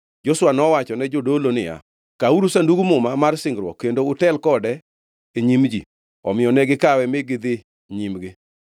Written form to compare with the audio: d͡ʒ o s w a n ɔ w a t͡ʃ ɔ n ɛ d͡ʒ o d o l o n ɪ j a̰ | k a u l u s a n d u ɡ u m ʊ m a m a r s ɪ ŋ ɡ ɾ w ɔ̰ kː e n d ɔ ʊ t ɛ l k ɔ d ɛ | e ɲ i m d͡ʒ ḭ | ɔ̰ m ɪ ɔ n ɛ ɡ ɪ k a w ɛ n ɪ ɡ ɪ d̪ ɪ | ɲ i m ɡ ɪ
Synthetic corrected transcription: d͡ʒ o s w a n ɔ w a t͡ʃ ɔ n ɛ d͡ʒ o d o l o n ɪ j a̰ | k a u ɾ u s a n d u ɡ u m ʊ m a m a r s ɪ ŋ ɡ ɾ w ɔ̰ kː e n d o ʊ t ɛ l k ɔ d ɛ | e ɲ i m d͡ʒ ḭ | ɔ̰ m ɪ ɔ n ɛ ɡ ɪ k a w ɛ m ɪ ɡ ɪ d̪ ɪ | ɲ i m ɡ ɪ